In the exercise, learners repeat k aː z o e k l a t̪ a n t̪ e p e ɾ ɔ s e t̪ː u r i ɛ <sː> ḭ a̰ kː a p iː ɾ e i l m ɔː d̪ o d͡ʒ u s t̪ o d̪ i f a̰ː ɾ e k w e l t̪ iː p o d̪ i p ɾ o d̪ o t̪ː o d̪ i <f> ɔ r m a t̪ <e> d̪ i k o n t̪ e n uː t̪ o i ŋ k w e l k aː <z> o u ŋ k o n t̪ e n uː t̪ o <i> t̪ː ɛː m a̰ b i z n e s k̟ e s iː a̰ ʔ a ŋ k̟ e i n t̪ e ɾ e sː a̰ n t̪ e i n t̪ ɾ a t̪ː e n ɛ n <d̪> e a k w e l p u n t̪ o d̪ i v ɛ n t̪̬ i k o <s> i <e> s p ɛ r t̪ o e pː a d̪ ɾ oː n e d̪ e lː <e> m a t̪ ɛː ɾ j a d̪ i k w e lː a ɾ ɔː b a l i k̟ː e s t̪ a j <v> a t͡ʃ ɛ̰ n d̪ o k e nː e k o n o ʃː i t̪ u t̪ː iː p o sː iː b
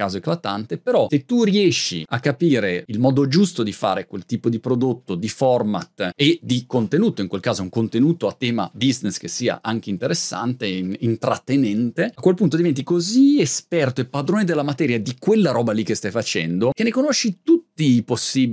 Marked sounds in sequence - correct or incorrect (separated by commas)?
incorrect, correct, correct, correct, incorrect, incorrect, incorrect, correct, incorrect, incorrect